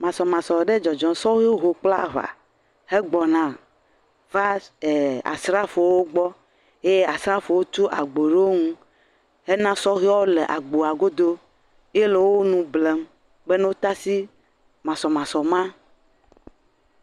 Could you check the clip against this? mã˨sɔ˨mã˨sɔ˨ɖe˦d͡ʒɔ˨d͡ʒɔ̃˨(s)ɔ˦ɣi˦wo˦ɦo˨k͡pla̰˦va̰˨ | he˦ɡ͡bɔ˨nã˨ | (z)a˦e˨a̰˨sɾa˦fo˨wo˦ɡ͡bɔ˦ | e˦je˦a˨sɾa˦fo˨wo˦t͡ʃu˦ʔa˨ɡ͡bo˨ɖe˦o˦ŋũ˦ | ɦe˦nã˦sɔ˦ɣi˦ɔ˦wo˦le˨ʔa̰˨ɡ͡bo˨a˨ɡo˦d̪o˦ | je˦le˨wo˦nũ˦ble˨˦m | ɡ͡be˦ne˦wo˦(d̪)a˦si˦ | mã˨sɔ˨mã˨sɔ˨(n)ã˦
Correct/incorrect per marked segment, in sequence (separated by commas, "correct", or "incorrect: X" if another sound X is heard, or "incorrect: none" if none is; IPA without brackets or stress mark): correct, incorrect: v, incorrect: t̪, incorrect: m